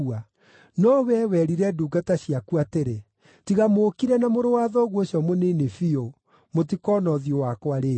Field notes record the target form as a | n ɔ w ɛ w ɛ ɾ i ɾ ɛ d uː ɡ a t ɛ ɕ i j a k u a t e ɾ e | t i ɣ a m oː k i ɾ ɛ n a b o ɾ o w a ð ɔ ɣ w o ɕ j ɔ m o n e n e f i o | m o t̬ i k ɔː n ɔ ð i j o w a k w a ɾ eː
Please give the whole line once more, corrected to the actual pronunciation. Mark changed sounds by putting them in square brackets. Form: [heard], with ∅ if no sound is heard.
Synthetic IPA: a | n ɔ w ɛ w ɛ ɾ i ɾ ɛ d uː ɡ a t [a] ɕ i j a k u a t e ɾ e | t i ɣ a m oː k i ɾ ɛ n a [m] o ɾ o w a ð ɔ ɣ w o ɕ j ɔ m o n e n e f i o | m o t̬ i k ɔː n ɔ ð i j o w a k w a ɾ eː